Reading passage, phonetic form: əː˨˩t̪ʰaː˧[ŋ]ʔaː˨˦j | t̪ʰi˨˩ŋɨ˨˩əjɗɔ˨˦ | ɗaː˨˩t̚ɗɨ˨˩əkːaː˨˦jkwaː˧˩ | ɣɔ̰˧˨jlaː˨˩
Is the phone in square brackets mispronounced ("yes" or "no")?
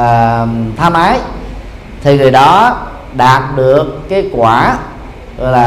yes